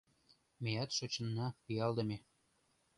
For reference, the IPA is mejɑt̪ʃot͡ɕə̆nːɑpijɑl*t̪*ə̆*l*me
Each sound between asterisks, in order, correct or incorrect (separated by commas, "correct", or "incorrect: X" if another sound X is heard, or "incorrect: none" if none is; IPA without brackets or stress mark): incorrect: d̪, incorrect: none